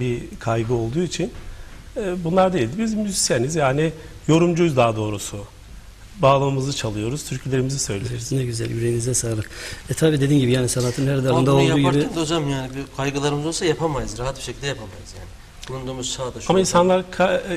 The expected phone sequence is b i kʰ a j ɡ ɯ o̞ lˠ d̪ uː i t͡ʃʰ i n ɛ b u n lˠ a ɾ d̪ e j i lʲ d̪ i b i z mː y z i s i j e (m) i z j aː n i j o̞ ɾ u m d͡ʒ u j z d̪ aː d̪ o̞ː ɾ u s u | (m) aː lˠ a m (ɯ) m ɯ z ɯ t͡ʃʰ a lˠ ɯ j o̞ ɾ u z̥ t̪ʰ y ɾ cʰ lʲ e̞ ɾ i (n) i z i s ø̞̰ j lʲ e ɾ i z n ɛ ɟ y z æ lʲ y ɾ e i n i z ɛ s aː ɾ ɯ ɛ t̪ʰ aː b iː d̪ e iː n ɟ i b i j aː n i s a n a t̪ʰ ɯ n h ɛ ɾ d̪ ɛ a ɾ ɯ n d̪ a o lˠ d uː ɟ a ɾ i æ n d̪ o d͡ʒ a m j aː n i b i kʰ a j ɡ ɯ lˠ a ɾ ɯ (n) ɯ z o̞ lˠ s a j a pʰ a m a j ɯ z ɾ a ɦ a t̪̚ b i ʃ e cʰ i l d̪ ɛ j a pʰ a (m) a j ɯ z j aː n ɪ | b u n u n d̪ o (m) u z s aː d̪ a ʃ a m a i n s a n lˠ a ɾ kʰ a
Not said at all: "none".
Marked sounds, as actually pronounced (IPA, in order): n, b, ɯ, m, m, m, m

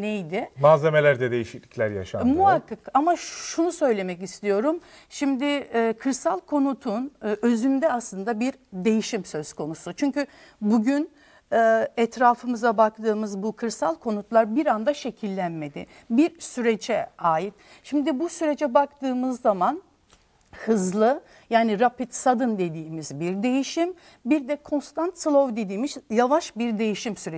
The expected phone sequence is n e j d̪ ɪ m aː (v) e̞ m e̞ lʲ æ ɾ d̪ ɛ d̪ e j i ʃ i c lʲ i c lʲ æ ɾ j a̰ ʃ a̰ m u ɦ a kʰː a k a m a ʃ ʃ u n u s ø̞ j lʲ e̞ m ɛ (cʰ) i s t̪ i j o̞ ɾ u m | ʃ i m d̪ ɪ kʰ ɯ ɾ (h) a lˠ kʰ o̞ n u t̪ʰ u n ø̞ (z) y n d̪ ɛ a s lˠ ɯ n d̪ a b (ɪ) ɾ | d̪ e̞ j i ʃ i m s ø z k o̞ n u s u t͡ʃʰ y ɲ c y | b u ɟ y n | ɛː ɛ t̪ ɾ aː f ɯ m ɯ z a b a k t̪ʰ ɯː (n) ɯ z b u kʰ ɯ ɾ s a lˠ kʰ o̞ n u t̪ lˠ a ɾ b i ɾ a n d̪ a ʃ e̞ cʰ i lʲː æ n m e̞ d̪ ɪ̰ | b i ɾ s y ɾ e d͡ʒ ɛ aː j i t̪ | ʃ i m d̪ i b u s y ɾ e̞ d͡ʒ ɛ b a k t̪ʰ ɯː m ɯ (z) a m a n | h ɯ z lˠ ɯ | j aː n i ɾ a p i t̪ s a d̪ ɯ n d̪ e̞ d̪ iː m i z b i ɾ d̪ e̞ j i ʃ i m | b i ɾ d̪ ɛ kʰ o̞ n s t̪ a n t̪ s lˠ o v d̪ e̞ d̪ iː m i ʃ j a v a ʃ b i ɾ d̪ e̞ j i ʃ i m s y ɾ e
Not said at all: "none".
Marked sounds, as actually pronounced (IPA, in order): z, c, s, z, i, m, zː

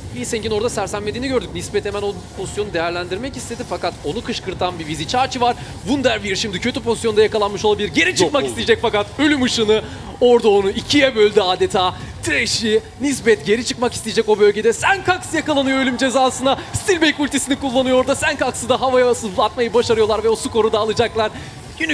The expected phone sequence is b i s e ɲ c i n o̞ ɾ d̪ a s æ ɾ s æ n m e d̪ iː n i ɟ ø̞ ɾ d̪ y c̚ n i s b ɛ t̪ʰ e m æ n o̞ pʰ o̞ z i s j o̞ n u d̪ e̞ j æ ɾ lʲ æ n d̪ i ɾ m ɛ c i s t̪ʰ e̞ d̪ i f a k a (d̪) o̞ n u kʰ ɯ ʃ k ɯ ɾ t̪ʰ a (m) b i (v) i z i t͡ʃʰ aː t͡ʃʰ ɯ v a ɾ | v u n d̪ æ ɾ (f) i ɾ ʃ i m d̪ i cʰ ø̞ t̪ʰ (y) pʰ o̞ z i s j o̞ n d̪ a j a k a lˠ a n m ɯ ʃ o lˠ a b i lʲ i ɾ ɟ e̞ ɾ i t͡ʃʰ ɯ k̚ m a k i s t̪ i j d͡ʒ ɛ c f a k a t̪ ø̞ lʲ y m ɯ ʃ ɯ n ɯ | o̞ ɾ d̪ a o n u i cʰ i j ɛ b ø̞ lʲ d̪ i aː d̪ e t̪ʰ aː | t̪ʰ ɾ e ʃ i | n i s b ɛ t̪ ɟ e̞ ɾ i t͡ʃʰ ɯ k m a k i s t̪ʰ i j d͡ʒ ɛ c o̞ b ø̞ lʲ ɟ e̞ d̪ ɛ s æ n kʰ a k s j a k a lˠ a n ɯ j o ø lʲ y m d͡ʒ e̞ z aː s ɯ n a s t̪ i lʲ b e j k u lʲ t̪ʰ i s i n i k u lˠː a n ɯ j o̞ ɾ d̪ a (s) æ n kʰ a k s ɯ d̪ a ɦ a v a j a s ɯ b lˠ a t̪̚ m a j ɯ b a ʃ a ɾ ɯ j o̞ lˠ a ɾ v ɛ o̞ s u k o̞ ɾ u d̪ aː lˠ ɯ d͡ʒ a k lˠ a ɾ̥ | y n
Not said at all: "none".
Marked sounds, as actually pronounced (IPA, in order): t̪, n, v, v, y, s

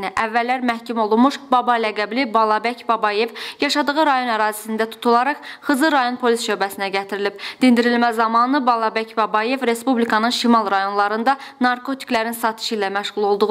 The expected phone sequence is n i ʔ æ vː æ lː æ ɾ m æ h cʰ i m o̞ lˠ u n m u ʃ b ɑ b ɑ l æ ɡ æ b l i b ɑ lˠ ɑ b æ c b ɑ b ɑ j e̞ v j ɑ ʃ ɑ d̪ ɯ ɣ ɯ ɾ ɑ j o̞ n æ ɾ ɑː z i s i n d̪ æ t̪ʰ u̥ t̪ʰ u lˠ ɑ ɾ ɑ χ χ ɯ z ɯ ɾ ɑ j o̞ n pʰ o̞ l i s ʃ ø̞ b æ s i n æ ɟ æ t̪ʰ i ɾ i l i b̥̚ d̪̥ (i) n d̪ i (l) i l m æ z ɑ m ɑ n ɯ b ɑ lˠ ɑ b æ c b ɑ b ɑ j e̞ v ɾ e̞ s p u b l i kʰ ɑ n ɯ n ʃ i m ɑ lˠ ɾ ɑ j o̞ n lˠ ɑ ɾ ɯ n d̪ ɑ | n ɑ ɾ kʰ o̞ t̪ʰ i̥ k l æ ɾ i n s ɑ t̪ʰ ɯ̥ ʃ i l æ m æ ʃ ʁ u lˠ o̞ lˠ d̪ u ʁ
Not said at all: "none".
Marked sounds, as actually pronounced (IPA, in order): i, ɾ

